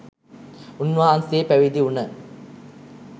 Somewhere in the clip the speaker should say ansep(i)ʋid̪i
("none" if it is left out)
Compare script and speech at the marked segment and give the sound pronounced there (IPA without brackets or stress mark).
æ